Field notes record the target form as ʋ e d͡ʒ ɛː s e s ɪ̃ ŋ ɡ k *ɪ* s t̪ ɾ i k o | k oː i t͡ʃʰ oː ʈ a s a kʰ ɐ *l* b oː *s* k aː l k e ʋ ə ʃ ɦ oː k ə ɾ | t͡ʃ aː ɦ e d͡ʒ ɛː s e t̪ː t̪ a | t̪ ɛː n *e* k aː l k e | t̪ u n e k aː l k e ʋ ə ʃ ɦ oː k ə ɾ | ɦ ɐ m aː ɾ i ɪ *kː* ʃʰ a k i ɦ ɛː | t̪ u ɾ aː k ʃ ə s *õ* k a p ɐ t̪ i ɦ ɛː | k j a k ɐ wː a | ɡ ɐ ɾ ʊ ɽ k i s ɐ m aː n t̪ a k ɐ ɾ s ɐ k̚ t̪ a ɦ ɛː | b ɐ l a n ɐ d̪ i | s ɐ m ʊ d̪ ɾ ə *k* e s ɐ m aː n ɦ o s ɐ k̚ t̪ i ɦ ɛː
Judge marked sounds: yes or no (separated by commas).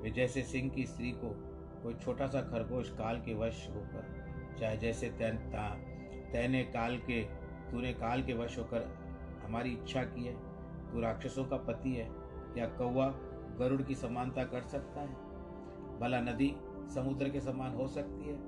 no, no, no, yes, no, yes, yes